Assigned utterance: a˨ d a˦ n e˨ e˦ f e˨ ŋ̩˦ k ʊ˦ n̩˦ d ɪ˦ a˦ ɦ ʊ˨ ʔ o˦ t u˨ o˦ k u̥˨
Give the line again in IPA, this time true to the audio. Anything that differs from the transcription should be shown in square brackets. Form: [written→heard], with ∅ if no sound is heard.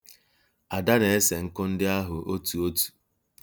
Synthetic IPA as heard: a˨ d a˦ n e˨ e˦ [f→s] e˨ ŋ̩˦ k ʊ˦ n̩˦ d ɪ˦ a˦ ɦ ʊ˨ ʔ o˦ t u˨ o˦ [k→t] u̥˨